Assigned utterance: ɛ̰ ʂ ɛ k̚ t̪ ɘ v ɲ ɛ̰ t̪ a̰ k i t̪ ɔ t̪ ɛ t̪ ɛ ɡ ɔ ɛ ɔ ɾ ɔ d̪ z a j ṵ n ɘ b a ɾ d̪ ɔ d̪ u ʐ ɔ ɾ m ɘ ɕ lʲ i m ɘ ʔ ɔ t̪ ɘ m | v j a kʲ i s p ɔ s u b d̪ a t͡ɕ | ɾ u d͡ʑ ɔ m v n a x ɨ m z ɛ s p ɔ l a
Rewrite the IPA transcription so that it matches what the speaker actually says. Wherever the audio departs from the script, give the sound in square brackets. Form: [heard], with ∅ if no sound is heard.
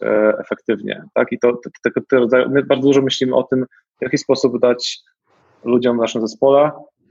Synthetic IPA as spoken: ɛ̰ [f] ɛ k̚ t̪ ɘ v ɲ ɛ̰ t̪ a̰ k i t̪ ɔ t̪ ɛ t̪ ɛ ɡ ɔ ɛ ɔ ɾ ɔ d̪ z a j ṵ [m] ɘ b a ɾ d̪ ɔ d̪ u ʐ ɔ [∅] m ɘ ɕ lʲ i m ɘ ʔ ɔ t̪ ɘ m | v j a kʲ i s p ɔ s u b d̪ a t͡ɕ | [l] u d͡ʑ ɔ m v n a [ʂ] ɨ m z ɛ s p ɔ l [ɛ]